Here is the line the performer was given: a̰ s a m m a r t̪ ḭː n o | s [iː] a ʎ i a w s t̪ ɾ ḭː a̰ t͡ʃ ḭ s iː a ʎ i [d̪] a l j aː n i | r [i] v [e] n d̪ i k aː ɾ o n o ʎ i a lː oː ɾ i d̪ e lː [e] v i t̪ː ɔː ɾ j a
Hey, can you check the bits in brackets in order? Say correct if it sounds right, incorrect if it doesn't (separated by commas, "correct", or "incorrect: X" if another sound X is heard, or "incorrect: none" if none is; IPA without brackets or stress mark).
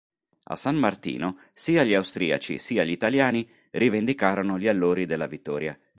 correct, incorrect: t̪, correct, correct, incorrect: a